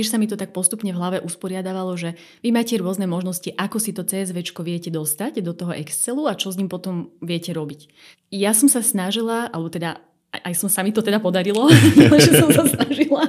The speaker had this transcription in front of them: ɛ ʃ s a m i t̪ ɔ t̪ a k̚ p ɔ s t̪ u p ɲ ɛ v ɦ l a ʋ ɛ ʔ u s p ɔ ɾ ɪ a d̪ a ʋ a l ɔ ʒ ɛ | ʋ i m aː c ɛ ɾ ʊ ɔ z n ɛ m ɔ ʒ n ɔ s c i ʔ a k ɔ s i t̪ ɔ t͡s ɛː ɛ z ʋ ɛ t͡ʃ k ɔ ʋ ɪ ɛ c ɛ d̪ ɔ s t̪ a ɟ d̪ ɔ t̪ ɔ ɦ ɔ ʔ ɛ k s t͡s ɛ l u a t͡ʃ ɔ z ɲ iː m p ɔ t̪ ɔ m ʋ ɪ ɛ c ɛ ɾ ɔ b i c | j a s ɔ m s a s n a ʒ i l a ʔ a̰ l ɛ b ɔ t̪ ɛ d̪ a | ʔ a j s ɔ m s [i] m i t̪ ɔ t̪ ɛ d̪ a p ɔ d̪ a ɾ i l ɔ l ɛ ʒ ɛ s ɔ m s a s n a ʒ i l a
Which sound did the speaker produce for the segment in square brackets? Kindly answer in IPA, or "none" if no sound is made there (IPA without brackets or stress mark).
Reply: a